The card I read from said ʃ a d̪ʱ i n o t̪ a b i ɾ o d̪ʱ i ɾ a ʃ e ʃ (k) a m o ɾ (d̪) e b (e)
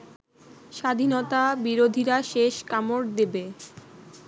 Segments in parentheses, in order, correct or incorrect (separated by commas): correct, correct, correct